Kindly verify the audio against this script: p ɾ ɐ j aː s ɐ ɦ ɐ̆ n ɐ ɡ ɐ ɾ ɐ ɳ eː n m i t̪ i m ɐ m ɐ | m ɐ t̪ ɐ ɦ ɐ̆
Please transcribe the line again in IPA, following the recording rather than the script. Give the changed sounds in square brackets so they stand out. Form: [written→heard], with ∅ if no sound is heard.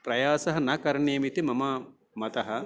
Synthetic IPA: p ɾ ɐ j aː s ɐ ɦ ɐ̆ n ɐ [ɡ→k] ɐ ɾ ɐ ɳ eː [n→∅] m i t̪ i m ɐ m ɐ | m ɐ t̪ ɐ ɦ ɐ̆